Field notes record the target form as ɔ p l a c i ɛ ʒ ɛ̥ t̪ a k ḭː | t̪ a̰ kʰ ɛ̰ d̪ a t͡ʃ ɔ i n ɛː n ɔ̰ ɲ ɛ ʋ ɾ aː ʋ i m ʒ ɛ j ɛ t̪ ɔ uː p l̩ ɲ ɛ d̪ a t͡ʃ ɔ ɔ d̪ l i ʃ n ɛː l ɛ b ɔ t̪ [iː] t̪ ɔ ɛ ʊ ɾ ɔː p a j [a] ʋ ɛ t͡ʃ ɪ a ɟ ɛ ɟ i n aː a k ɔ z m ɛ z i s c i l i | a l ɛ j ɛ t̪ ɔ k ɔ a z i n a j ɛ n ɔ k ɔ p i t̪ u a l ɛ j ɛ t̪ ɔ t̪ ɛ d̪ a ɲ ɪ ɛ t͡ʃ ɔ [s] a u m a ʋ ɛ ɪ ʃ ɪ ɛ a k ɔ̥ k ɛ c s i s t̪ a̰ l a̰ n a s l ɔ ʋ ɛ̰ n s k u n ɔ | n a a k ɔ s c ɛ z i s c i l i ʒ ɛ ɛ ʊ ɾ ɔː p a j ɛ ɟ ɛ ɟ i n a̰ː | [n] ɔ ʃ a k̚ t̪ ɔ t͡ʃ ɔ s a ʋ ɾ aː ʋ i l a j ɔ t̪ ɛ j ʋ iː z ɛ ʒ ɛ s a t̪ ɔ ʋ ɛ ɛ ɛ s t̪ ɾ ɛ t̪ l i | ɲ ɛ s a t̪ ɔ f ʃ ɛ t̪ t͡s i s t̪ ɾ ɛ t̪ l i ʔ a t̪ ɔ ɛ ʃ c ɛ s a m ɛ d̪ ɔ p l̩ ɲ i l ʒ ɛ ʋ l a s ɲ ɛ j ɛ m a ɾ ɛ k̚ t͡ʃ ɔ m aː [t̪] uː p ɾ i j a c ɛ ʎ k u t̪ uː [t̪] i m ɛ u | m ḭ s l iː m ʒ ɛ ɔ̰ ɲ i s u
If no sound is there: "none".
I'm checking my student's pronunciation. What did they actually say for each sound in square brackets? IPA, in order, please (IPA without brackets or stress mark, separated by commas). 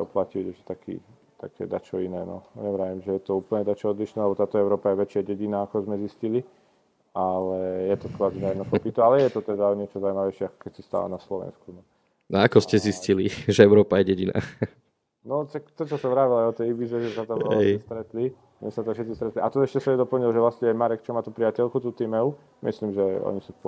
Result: aː, ɛ, z, n, t̪, t̪